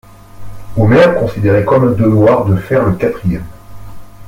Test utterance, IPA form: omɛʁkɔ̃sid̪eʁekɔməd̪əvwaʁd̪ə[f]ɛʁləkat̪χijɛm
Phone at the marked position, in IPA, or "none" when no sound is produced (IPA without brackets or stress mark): f